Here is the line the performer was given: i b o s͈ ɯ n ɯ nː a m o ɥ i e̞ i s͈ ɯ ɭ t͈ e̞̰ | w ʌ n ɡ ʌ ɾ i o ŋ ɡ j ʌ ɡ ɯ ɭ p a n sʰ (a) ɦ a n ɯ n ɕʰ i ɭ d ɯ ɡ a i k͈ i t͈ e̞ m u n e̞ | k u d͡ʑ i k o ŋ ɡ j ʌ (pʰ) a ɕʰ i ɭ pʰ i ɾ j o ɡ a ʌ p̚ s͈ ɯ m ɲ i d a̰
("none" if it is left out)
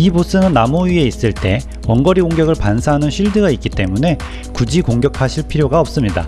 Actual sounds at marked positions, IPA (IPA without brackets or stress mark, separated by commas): a, kʰ